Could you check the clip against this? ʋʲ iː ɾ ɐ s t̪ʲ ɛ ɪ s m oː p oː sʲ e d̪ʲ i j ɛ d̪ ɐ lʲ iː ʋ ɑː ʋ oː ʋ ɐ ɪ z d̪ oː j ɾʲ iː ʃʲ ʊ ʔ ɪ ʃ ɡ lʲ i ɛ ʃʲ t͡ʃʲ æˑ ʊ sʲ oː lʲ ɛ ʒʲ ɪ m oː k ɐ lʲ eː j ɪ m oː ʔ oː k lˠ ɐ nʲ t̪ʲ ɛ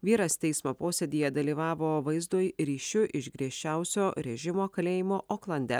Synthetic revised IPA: ʋʲ iː ɾ ɐ s t̪ʲ ɛ ɪ s m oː p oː sʲ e d̪ʲ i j ɛ d̪ ɐ lʲ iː ʋ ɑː ʋ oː ʋ ɐ ɪ z d̪ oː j ɾʲ iː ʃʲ ʊ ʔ ɪ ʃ ɡ ɾʲ i ɛ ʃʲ t͡ʃʲ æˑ ʊ sʲ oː ɾʲ ɛ ʒʲ ɪ m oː k ɐ lʲ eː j ɪ m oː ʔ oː k lˠ ɐ nʲ d̪ʲ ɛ